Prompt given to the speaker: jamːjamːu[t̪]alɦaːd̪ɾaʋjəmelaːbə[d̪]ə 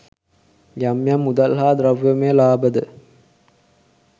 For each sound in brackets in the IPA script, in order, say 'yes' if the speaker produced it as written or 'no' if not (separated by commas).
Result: no, yes